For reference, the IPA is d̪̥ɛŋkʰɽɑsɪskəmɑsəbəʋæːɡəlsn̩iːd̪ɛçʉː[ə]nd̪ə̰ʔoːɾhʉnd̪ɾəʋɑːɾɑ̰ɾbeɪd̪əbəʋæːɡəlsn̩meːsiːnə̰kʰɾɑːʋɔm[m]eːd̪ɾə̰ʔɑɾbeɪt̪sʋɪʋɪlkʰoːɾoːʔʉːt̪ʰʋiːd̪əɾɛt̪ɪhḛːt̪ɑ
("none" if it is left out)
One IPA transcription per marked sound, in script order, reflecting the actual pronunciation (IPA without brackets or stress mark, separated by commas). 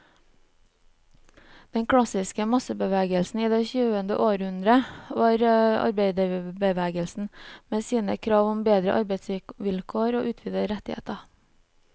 ə, b